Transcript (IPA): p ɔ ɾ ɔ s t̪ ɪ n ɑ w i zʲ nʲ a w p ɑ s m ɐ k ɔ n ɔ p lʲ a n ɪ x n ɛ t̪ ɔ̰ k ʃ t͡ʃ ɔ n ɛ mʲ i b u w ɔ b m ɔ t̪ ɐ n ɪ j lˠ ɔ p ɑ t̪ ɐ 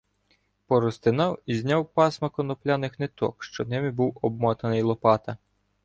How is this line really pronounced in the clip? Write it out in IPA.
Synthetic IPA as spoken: p ɔ ɾ ɔ s t̪ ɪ n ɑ w i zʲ nʲ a w p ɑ s m ɐ k ɔ n ɔ p lʲ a n ɪ x n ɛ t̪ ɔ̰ k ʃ t͡ʃ ɔ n ɛ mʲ i b u w ɔ b m ɔ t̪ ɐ n ɪ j lˠ ɔ p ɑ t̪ ɐ